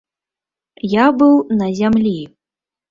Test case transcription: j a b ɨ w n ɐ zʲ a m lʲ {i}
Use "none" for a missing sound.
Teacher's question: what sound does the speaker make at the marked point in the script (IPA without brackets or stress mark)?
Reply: i